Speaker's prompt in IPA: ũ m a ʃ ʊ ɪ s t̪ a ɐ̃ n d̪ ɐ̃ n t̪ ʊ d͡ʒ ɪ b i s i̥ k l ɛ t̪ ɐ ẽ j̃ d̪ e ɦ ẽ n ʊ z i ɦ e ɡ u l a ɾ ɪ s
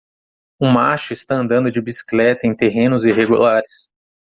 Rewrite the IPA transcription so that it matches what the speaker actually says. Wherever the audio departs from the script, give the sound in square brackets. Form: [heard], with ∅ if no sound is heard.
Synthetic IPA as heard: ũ m a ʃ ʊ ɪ s t̪ a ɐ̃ n d̪ ɐ̃ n [d̪] ʊ d͡ʒ ɪ b i s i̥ k l ɛ t̪ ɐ ẽ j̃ [t̪] e ɦ ẽ n ʊ z i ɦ e ɡ u l a ɾ ɪ s

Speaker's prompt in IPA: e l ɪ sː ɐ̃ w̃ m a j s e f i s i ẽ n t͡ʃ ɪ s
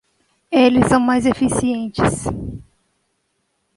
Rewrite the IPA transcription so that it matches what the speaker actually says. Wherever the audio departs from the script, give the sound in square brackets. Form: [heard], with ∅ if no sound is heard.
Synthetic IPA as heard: e l ɪ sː ɐ̃ w̃ m a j [z] e f i s i ẽ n t͡ʃ ɪ s

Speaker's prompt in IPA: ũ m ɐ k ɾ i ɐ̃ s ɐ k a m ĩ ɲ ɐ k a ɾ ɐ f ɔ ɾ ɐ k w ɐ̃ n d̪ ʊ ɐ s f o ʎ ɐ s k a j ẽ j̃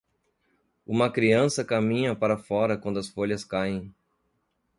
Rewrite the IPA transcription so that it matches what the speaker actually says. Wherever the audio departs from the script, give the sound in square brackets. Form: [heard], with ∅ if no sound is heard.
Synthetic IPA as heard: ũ m ɐ k ɾ i ɐ̃ s ɐ k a m ĩ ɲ ɐ [p] a ɾ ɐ f ɔ ɾ ɐ k w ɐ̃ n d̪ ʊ ɐ s f o ʎ ɐ s k a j ẽ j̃

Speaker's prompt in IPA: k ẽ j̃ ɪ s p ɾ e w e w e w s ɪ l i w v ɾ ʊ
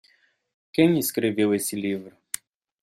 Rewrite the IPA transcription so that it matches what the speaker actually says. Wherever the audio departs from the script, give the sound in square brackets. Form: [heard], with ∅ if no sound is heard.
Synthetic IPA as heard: k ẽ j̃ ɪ s [k] ɾ e [v] e w e [∅] s ɪ l i [∅] v ɾ ʊ

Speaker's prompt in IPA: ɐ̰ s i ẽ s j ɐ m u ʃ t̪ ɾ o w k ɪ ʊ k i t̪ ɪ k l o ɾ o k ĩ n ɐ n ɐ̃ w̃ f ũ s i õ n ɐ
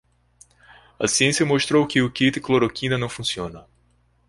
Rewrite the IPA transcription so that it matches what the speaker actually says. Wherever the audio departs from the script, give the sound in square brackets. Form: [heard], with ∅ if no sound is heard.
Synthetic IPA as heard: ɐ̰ s i ẽ s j ɐ m [o] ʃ t̪ ɾ o w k ɪ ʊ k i t̪ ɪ k l o ɾ o k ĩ n ɐ n ɐ̃ w̃ f ũ s i õ n ɐ

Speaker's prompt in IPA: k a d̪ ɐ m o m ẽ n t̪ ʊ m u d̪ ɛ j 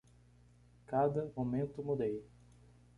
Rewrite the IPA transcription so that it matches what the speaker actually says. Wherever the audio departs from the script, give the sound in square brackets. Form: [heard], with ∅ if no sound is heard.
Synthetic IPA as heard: k a d̪ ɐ m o m ẽ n t̪ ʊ m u d̪ [e] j

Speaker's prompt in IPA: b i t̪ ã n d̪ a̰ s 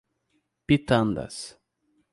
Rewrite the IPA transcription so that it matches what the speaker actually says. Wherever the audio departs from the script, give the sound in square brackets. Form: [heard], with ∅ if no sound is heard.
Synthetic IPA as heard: [p] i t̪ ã n d̪ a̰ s

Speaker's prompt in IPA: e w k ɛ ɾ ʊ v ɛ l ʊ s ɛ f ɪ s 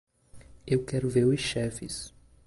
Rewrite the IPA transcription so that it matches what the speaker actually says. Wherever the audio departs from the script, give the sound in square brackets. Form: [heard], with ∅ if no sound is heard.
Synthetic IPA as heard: e w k ɛ ɾ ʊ v [e] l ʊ [ʃ] ɛ f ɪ s

